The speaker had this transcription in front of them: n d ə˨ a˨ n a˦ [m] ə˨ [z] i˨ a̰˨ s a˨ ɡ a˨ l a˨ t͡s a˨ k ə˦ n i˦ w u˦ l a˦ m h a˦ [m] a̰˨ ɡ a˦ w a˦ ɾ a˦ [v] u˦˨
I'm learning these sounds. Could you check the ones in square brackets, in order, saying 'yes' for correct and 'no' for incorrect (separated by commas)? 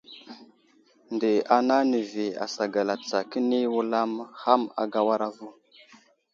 no, no, yes, yes